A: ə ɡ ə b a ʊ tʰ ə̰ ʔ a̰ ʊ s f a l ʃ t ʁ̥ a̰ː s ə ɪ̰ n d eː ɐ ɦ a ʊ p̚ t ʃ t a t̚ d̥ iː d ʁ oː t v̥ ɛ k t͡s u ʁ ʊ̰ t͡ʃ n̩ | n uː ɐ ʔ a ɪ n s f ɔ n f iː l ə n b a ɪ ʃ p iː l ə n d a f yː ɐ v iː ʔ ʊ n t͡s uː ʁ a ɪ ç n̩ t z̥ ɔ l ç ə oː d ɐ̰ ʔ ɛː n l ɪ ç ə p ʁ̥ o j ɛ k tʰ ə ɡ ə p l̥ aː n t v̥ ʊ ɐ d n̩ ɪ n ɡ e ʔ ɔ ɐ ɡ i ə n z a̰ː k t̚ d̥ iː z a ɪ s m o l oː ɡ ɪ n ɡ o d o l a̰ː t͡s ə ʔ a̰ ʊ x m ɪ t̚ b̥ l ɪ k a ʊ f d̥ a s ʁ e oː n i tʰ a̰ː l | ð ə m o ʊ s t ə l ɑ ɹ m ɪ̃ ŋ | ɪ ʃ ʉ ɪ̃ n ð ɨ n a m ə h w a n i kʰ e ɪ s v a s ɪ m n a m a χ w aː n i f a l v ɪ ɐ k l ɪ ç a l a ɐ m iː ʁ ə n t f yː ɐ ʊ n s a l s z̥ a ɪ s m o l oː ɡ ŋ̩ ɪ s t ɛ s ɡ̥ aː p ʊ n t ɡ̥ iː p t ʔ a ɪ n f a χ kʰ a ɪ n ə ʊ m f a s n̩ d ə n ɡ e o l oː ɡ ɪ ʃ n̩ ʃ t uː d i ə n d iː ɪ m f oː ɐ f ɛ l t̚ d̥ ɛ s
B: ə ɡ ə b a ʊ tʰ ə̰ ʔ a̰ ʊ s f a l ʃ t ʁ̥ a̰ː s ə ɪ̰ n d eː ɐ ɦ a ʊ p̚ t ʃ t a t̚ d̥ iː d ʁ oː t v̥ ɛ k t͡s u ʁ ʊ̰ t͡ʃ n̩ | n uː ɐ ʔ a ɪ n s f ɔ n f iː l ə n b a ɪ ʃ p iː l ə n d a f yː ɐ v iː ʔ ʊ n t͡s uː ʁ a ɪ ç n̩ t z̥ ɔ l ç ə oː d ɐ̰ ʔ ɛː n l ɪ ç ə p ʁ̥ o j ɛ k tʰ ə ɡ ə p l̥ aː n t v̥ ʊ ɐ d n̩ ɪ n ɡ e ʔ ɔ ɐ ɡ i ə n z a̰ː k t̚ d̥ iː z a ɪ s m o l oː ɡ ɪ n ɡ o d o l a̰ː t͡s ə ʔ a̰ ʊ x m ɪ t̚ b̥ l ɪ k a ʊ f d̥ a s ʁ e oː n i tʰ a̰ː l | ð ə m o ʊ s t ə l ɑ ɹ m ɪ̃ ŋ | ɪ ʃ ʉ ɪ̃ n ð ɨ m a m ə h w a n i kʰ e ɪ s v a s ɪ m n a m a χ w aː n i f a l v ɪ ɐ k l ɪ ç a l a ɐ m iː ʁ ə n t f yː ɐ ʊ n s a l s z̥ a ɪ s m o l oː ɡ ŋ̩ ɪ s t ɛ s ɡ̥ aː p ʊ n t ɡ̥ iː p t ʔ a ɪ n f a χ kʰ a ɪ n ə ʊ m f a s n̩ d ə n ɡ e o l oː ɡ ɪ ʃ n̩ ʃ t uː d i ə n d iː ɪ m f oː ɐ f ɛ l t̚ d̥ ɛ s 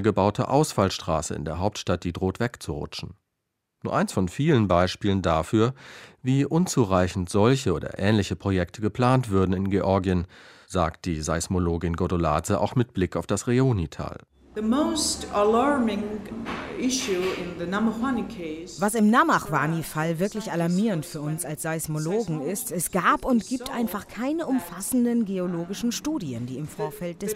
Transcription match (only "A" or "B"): A